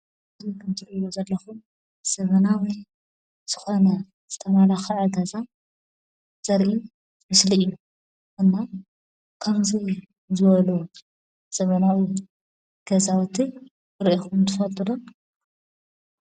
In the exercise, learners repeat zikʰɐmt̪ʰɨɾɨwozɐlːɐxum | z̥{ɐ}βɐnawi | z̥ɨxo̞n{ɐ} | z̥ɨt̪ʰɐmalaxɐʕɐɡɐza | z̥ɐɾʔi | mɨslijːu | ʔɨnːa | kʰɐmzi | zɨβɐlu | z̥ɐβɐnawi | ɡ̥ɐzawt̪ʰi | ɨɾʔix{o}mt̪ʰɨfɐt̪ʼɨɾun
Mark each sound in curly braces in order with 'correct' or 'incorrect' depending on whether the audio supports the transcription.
correct, correct, incorrect: u

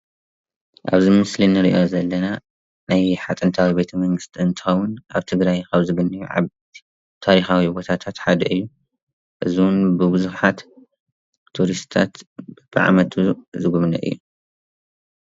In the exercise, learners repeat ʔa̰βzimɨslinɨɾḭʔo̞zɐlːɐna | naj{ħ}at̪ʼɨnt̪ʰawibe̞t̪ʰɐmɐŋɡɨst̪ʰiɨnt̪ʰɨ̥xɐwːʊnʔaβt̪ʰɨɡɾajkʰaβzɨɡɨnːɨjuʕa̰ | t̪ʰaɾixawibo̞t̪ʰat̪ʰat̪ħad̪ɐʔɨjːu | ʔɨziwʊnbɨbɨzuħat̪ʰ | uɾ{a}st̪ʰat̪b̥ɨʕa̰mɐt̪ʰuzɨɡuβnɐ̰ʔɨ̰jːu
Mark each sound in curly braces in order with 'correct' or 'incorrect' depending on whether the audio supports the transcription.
correct, incorrect: i

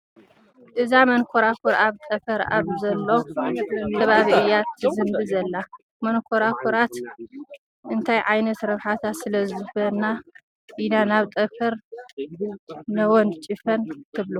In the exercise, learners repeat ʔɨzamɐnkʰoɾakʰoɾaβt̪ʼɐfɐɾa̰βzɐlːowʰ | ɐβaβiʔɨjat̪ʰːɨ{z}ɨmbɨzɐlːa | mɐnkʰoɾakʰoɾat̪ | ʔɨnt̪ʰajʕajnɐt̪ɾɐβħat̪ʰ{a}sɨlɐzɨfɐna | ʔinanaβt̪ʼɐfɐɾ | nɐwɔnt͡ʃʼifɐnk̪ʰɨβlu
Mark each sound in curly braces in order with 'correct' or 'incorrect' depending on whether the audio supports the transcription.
correct, correct

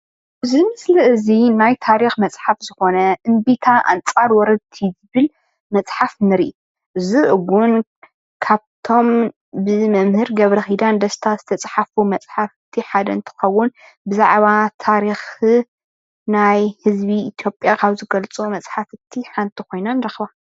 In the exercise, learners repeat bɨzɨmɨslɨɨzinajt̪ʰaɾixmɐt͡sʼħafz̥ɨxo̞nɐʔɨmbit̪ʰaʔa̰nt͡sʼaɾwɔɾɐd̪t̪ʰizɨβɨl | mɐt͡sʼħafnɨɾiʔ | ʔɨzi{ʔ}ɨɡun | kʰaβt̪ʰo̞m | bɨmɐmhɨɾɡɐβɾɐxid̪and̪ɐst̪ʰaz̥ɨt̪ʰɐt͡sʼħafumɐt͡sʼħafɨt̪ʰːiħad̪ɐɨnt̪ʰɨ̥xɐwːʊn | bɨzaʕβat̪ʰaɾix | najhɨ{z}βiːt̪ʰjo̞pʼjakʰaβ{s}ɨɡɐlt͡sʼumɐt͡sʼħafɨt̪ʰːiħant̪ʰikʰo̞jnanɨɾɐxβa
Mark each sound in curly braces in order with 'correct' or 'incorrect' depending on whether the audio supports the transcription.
correct, correct, incorrect: z

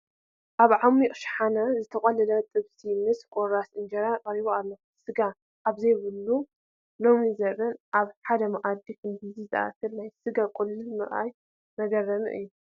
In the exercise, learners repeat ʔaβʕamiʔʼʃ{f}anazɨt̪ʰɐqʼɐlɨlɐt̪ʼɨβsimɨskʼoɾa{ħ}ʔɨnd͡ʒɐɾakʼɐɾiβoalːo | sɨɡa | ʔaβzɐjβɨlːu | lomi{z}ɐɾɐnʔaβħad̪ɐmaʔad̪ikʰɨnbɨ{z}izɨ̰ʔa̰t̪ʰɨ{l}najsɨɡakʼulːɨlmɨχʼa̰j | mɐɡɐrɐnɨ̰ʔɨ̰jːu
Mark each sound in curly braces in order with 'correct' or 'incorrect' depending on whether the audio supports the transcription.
incorrect: ħ, incorrect: s, correct, correct, correct

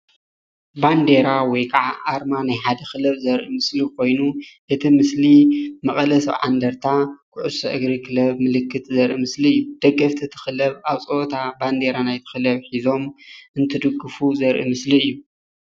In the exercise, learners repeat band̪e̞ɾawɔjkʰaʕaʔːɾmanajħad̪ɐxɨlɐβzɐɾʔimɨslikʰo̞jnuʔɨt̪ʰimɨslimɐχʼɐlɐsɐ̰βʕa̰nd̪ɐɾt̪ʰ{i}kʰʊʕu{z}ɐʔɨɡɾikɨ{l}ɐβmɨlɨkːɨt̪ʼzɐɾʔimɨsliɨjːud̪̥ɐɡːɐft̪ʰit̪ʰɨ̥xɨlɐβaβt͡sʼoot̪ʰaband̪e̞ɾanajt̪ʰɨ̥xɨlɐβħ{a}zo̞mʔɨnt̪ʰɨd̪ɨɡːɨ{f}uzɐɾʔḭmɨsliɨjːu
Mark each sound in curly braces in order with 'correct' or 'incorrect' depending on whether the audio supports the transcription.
incorrect: a, incorrect: s, correct, incorrect: i, correct

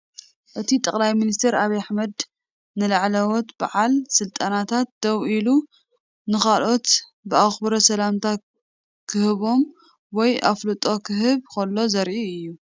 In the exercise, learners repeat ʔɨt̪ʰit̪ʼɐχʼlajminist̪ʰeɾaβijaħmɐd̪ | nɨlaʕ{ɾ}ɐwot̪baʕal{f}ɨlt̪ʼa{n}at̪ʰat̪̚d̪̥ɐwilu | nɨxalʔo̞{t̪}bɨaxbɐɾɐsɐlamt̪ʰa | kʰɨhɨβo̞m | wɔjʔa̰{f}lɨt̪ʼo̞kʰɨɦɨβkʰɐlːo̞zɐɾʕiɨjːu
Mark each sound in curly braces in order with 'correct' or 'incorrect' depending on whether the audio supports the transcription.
incorrect: l, incorrect: s, correct, correct, correct

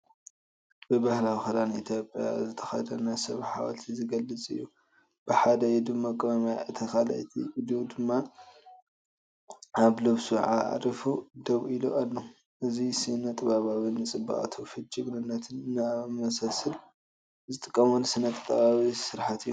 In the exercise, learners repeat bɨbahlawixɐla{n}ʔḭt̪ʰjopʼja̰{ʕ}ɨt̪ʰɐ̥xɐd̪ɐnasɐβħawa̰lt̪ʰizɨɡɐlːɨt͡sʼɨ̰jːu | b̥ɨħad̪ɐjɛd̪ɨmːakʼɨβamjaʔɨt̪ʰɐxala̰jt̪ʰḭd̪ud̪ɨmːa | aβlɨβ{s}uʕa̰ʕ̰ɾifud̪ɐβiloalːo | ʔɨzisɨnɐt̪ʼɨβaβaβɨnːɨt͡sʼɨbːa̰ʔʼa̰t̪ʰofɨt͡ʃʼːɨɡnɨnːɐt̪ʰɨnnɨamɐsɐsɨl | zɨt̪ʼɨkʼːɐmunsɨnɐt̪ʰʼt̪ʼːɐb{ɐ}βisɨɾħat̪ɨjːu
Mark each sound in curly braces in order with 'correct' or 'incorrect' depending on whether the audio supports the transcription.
correct, incorrect: z, correct, incorrect: a

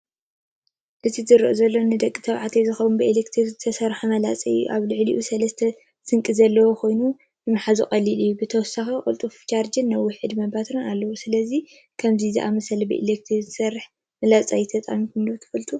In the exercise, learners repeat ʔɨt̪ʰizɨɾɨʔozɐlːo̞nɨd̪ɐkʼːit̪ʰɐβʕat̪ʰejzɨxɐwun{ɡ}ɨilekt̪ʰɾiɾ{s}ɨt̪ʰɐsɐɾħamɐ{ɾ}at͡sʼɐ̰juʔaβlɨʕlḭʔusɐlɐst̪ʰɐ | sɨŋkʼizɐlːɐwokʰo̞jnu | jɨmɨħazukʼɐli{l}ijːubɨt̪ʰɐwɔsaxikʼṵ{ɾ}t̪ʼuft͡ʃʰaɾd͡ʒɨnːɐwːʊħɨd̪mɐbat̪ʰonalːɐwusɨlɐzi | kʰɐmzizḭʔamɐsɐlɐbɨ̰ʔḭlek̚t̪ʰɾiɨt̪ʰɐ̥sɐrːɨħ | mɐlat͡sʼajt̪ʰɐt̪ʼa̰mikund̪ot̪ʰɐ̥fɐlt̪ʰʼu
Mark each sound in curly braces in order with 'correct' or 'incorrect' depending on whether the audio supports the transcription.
incorrect: b, incorrect: z, incorrect: l, correct, incorrect: l

